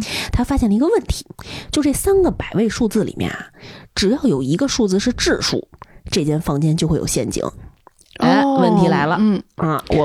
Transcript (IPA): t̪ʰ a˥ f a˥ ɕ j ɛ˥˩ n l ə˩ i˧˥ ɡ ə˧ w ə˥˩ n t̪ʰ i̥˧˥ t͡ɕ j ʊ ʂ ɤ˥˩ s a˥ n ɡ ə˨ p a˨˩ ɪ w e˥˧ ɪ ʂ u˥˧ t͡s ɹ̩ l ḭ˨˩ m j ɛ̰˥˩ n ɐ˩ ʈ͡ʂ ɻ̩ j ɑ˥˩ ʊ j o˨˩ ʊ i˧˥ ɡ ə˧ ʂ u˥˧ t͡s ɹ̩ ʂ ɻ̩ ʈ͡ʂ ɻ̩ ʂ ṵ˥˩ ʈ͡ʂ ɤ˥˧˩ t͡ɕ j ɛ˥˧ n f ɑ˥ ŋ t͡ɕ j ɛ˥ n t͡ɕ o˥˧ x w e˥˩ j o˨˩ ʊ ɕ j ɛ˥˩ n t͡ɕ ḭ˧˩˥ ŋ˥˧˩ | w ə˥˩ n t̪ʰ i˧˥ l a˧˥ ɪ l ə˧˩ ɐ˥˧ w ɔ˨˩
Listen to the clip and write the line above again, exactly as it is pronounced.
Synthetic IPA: t̪ʰ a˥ f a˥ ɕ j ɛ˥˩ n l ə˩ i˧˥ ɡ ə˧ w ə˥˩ n t̪ʰ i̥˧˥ t͡ɕ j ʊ ʈ͡ʂ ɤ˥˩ s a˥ n ɡ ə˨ p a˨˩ ɪ w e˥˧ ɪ ʂ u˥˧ t͡s ɹ̩ l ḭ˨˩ m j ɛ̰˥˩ n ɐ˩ ʈ͡ʂ ɻ̩ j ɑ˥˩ ʊ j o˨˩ ʊ i˧˥ ɡ ə˧ ʂ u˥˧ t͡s ɹ̩ ʂ ɻ̩ ʈ͡ʂ ɻ̩ ʂ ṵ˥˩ ʈ͡ʂ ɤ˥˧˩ t͡ɕ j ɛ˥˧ n f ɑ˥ ŋ t͡ɕ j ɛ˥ n t͡ɕ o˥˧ x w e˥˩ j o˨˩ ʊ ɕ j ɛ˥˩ n t͡ɕ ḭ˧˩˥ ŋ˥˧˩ | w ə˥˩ n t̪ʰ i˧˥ l a˧˥ ɪ l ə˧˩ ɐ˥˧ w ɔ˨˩